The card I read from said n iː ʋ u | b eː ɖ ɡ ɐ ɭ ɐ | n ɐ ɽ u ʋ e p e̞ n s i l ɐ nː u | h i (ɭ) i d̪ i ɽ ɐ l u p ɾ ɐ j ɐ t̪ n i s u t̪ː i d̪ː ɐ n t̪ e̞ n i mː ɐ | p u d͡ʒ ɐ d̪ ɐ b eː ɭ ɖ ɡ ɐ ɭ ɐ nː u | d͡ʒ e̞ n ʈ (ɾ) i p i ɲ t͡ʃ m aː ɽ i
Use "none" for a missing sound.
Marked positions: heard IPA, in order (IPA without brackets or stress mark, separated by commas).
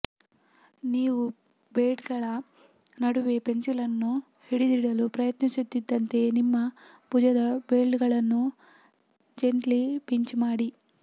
ɽ, l